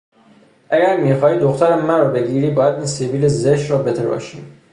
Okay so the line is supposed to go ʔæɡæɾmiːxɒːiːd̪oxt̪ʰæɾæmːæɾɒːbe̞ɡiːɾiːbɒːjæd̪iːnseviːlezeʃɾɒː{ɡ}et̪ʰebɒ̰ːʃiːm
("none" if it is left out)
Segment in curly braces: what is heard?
b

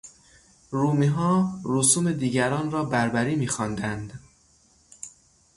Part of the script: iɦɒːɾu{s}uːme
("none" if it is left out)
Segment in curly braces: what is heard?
s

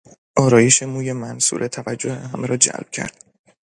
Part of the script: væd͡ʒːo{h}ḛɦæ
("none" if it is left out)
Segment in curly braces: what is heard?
h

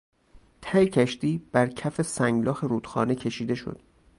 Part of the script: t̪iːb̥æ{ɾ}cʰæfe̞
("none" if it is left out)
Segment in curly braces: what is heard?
ɾ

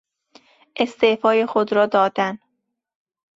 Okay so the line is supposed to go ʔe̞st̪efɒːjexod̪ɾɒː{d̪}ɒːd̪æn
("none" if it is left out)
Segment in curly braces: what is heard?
d̪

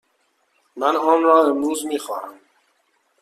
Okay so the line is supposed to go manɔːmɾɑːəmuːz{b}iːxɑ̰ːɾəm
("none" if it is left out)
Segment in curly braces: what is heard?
m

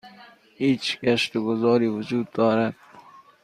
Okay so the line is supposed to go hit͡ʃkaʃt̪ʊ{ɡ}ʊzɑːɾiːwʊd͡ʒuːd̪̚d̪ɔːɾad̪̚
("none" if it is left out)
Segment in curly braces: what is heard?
ɡ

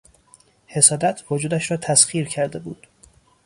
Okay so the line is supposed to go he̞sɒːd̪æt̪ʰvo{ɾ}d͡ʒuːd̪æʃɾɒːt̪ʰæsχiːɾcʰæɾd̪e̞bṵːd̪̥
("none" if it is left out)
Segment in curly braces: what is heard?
none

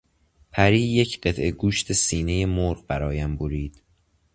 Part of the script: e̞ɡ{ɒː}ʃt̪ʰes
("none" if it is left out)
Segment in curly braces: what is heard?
uː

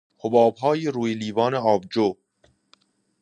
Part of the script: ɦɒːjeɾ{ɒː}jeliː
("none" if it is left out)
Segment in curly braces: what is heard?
uː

